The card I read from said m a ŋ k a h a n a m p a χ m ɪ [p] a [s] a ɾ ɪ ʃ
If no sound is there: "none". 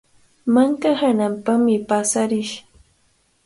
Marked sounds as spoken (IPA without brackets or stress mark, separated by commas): p, s